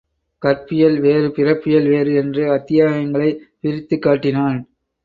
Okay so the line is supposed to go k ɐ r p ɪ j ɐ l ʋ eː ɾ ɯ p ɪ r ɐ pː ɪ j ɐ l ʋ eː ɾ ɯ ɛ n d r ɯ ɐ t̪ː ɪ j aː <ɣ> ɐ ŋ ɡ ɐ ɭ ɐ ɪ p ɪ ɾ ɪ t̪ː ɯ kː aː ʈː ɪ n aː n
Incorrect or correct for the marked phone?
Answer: correct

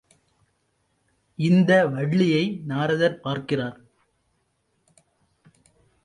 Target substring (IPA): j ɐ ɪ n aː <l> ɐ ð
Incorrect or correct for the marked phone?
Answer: incorrect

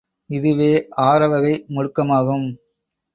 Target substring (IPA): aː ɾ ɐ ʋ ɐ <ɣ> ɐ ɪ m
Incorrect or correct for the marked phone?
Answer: correct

